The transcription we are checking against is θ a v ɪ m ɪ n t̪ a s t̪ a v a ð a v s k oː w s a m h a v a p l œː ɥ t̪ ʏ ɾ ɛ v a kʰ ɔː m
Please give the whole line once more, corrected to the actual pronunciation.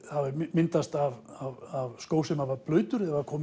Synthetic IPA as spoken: h a v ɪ m ɪ n t̪ a s t̪ a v a v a v s k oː w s ɛ m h a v a p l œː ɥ t̪ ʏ ɾ ɛ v a kʰ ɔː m